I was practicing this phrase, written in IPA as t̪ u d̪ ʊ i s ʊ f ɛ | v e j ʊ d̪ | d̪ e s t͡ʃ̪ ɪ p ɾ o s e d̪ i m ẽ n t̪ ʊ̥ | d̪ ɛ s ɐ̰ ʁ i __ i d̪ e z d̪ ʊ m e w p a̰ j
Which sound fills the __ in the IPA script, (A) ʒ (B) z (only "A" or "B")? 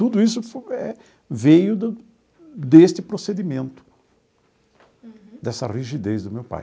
A